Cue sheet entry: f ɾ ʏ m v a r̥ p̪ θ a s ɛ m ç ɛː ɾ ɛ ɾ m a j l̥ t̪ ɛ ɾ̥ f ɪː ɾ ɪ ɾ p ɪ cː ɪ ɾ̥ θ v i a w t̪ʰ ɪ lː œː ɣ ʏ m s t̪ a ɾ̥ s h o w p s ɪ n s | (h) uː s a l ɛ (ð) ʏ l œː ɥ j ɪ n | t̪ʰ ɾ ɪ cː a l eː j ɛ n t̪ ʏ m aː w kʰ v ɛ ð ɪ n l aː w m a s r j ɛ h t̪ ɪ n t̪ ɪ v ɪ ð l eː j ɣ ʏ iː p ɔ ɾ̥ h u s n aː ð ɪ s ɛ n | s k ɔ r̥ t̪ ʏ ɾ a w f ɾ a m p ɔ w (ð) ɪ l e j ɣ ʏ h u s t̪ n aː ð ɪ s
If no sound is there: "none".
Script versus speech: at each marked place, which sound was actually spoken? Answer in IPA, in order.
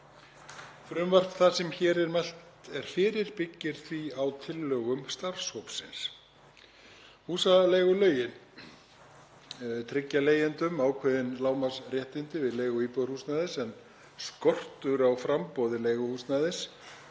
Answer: h, ɣ, ð

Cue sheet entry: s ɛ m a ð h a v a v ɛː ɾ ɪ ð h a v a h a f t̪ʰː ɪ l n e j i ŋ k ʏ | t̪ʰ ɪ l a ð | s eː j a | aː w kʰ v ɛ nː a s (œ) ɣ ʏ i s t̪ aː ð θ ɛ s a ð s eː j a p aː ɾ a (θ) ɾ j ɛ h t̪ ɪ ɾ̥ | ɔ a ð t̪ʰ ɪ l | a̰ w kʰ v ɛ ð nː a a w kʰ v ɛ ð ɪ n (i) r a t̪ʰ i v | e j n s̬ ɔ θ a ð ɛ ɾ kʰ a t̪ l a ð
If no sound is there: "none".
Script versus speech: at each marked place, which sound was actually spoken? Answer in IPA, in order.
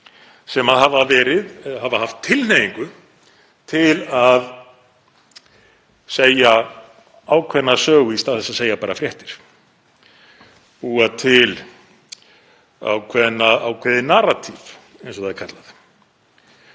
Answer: œː, f, a

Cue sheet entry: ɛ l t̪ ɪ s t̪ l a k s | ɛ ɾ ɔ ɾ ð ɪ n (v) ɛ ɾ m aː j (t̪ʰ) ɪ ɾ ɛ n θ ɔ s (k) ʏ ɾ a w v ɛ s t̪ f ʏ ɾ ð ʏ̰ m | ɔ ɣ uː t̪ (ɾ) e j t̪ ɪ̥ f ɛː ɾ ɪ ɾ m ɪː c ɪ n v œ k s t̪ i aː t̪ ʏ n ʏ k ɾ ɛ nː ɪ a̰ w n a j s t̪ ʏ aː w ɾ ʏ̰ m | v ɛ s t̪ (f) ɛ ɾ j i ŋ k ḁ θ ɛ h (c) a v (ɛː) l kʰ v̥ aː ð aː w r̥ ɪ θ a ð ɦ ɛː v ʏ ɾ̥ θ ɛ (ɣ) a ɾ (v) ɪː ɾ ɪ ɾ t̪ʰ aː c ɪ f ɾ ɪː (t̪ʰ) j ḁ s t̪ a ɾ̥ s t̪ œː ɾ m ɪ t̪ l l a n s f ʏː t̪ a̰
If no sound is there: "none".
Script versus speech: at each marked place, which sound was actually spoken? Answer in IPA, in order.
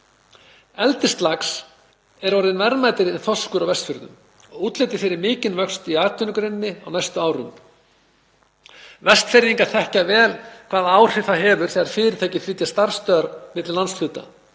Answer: v, t̪, k, l, f, c, ɛː, ɣ, f, t̪

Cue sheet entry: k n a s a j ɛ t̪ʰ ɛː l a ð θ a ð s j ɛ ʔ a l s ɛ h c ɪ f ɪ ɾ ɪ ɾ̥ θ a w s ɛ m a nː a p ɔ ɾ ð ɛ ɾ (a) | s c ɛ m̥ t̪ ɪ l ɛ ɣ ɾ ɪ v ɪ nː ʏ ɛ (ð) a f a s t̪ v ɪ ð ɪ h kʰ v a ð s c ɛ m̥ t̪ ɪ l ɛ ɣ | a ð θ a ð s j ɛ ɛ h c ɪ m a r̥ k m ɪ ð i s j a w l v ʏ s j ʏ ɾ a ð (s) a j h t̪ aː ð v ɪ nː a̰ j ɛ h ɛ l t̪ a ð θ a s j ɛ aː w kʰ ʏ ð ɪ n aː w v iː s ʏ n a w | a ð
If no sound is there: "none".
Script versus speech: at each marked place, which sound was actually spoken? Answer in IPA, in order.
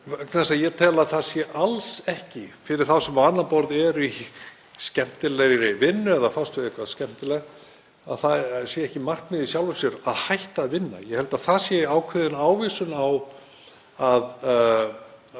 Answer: i, ð, h

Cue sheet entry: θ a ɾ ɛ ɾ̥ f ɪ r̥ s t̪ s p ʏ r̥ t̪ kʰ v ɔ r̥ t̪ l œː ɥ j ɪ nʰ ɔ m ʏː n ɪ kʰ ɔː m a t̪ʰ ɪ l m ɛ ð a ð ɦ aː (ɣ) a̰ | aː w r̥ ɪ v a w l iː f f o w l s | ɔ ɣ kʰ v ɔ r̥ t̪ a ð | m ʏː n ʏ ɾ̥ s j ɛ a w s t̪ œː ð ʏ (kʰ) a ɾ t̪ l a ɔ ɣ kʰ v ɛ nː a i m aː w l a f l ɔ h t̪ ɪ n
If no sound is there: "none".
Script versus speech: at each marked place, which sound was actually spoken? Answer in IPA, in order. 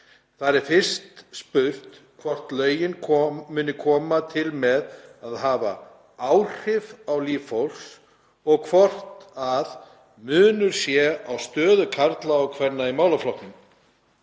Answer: v, kʰ

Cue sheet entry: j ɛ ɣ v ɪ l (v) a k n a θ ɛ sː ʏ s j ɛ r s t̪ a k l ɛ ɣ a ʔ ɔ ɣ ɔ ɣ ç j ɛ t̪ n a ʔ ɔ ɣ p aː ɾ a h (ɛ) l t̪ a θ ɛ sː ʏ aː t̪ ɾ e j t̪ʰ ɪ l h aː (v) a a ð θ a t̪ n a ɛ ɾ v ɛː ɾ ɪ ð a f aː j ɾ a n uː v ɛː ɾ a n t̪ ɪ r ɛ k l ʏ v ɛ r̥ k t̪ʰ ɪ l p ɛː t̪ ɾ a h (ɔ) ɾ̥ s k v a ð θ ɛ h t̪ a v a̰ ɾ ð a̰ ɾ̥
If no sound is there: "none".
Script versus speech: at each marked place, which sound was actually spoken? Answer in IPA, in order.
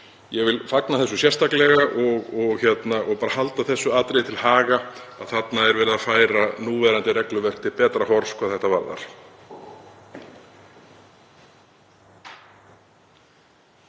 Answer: f, a, ɣ, ɔ

